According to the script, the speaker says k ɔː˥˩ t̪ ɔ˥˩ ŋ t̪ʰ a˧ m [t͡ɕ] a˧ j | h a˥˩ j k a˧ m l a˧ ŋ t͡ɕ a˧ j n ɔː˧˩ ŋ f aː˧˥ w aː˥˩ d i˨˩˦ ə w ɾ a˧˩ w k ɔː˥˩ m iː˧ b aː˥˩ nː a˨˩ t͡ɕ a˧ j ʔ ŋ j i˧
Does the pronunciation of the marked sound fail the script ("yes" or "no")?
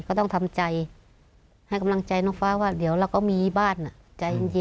no